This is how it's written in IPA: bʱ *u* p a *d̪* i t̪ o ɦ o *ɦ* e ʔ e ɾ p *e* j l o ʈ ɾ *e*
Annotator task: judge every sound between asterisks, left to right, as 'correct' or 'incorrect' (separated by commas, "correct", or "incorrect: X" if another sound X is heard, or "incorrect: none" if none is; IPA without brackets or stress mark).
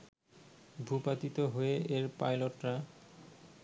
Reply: correct, incorrect: t̪, incorrect: none, incorrect: a, incorrect: a